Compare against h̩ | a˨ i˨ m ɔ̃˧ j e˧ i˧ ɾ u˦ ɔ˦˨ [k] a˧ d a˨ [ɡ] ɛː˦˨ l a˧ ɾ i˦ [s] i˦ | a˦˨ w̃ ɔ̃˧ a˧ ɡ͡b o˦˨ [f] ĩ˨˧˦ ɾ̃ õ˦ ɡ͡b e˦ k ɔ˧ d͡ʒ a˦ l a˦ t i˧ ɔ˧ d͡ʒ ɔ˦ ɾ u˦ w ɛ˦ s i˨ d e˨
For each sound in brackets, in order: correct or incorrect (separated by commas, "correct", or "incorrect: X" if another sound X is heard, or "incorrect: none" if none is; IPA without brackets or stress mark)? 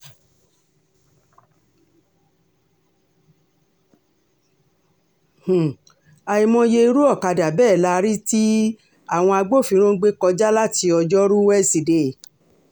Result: correct, incorrect: b, incorrect: t, correct